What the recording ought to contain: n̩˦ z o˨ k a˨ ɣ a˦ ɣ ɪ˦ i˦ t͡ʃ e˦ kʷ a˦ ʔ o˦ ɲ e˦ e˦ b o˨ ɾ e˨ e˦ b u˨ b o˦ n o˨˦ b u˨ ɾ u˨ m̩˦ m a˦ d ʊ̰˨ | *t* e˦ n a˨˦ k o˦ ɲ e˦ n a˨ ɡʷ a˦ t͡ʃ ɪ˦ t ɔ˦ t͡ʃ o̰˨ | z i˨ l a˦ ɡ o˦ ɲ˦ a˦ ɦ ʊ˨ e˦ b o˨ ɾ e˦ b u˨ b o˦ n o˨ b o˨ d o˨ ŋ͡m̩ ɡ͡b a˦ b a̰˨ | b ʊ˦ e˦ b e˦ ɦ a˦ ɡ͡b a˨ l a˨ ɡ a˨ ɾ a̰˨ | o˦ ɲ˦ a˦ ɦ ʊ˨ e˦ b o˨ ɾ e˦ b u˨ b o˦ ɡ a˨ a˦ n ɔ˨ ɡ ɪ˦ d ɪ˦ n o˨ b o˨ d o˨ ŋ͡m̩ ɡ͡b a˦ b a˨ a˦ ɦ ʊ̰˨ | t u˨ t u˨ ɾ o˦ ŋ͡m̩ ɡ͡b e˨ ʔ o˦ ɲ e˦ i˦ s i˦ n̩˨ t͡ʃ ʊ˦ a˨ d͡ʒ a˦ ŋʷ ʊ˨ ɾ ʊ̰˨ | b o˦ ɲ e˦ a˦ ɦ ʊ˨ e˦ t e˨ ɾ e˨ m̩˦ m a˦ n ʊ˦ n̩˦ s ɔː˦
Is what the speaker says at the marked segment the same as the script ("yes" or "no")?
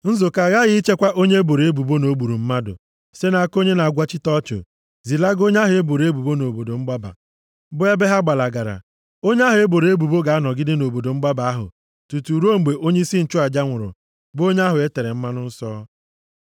no